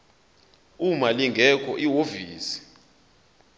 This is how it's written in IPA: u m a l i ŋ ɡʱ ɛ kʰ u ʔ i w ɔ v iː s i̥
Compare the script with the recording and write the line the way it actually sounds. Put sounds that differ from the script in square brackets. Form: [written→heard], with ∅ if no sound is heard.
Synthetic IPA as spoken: u m a l i ŋ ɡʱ ɛ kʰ [u→ɔ] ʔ i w [ɔ→o] v iː s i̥